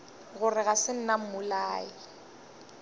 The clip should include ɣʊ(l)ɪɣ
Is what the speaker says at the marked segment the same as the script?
no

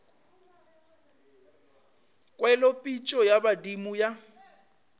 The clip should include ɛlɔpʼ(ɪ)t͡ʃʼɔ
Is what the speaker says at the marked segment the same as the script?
no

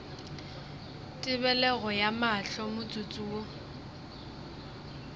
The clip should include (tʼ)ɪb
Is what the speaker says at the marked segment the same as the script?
yes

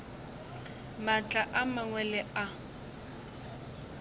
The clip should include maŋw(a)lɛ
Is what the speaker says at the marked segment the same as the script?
no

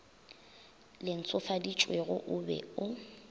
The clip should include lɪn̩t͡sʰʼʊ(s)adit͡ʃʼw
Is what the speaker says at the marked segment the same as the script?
no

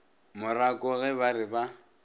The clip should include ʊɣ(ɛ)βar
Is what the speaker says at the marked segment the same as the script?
yes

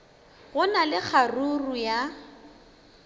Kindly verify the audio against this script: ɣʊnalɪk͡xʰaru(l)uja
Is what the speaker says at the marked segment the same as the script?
no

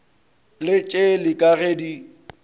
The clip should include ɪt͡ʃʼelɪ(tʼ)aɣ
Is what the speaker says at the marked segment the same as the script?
no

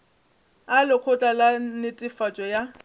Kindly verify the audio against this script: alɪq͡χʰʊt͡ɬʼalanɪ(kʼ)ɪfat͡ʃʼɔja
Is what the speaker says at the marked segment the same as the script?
no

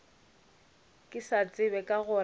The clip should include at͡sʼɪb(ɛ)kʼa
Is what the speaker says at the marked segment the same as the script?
yes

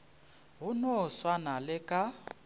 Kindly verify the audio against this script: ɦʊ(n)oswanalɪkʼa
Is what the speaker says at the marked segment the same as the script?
yes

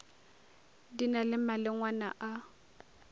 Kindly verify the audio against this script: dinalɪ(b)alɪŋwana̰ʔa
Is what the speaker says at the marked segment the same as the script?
no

